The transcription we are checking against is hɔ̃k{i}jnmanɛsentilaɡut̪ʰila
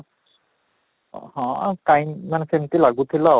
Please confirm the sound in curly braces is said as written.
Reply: no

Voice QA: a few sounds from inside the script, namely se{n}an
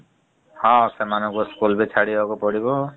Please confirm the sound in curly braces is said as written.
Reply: no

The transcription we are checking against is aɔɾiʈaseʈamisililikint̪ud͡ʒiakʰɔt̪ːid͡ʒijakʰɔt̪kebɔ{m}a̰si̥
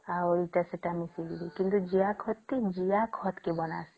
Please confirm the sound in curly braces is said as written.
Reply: no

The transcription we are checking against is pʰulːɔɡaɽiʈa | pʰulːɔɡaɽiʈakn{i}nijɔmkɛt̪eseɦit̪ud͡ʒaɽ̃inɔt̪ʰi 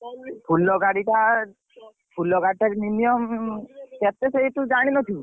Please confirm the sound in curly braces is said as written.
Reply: yes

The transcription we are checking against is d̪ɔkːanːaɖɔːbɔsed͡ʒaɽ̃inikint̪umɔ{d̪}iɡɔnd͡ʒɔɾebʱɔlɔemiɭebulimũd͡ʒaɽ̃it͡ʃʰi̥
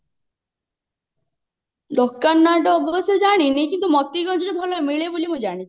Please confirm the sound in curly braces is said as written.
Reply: no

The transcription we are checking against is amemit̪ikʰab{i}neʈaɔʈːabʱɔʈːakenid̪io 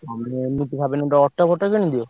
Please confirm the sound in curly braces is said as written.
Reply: no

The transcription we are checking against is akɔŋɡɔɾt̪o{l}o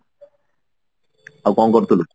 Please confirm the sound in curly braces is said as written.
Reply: yes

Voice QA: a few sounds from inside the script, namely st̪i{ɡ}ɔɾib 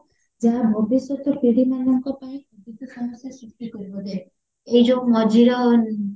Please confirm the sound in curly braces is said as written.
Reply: no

